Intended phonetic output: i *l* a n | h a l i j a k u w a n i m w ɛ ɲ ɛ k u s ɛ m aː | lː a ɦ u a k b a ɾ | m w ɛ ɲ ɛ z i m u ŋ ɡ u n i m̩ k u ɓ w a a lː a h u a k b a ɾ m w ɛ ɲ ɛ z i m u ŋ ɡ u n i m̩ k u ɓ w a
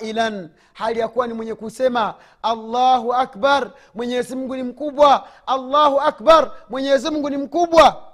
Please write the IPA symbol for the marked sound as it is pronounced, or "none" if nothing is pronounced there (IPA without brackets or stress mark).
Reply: l